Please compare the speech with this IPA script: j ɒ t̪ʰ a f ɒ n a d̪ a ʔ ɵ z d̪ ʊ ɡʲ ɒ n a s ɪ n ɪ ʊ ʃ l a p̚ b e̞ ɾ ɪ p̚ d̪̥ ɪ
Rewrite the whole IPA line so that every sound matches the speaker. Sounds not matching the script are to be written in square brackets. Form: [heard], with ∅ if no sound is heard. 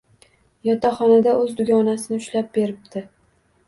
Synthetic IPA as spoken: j ɒ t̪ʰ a [χ] ɒ n a d̪ a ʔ ɵ z d̪ ʊ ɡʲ ɒ n a s ɪ n ɪ ʊ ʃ l a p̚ b e̞ ɾ ɪ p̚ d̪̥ ɪ